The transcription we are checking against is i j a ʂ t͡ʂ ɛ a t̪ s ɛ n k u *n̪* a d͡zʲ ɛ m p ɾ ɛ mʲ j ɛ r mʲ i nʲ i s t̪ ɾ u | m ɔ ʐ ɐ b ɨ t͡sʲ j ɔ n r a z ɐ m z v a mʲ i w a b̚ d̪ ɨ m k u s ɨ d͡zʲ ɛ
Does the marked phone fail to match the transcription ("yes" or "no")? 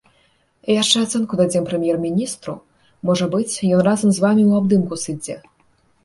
yes